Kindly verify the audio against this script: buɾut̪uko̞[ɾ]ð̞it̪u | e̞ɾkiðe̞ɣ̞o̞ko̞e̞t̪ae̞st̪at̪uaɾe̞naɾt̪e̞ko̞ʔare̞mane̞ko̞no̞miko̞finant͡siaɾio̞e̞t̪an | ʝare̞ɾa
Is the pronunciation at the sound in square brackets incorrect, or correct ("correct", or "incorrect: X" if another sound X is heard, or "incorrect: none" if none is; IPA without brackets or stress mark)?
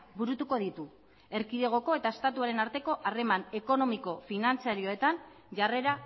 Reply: incorrect: none